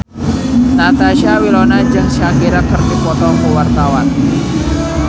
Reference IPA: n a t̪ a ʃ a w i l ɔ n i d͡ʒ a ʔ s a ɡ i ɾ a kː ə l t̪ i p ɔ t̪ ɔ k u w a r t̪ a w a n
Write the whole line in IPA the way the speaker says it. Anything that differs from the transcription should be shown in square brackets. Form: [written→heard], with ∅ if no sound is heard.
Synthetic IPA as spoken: n a t̪ a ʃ a w i l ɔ n [i→a] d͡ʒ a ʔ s a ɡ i ɾ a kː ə [l→r] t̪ i p ɔ t̪ ɔ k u w a r t̪ a w a n